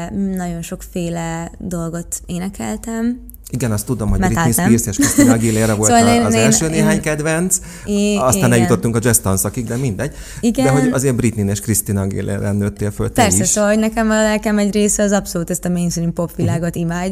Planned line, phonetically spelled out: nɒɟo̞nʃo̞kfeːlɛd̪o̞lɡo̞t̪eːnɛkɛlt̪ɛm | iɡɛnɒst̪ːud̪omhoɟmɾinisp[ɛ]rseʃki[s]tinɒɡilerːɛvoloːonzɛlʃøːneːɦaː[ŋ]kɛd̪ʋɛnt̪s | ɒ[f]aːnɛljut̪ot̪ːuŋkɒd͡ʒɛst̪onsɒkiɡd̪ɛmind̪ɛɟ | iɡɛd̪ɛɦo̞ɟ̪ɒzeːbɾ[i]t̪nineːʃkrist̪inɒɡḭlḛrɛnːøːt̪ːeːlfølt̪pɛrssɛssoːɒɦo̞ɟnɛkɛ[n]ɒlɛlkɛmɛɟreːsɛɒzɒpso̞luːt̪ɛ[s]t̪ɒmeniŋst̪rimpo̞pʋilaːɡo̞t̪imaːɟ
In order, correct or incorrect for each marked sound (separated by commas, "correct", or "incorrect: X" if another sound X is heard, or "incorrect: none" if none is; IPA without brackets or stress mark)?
incorrect: i, correct, incorrect: ɲ, incorrect: s, correct, incorrect: m, correct